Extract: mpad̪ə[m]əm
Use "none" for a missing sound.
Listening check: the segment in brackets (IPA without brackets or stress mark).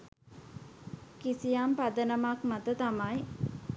n